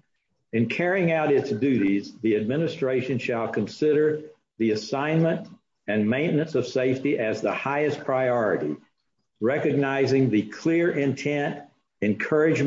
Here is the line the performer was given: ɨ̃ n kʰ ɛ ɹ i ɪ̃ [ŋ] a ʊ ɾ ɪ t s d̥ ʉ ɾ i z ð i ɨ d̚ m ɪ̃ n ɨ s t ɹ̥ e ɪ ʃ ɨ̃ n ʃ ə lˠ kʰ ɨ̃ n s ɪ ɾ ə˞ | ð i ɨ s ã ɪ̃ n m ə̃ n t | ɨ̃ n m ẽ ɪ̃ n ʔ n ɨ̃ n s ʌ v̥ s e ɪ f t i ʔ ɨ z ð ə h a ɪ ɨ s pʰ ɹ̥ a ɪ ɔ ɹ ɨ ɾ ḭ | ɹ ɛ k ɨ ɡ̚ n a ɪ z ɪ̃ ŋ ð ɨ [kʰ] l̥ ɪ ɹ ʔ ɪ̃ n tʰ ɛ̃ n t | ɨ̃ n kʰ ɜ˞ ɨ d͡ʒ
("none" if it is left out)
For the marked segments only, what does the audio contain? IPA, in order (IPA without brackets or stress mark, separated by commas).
ŋ, kʰ